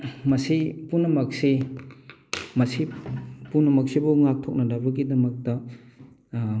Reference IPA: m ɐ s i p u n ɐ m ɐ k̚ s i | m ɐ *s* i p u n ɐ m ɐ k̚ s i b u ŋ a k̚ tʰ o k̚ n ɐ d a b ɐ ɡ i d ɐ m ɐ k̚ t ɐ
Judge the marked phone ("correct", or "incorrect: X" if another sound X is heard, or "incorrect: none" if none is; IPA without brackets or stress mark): correct